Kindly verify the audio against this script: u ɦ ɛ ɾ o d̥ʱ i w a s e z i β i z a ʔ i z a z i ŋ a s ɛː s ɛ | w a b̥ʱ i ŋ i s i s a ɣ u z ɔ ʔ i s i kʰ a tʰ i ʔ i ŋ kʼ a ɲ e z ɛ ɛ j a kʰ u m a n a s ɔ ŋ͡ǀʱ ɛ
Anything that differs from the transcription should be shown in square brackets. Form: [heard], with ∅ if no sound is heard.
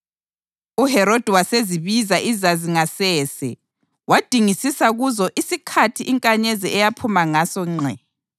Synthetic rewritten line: u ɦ ɛ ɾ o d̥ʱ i w a s e z i β i z a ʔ i z a z i ŋ a s ɛː s ɛ | w a [d̥ʱ] i ŋ i s i s a ɣ u z ɔ ʔ i s i kʰ a tʰ i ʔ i ŋ kʼ a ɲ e z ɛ ɛ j a [pʰ] u m a [ŋ] a s ɔ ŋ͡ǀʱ ɛ